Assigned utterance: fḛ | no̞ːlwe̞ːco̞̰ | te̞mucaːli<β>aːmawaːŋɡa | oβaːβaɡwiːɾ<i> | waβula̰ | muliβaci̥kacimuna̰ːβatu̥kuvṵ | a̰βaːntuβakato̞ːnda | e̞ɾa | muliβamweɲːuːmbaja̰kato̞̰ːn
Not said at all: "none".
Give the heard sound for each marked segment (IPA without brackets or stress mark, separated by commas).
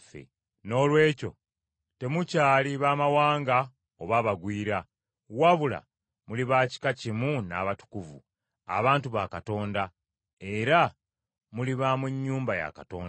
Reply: β, a